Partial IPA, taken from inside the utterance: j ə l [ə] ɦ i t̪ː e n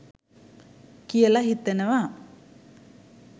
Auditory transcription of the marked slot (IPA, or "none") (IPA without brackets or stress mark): a